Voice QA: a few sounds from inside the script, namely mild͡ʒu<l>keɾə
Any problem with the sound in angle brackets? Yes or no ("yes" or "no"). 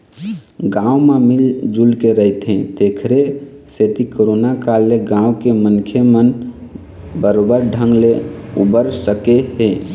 no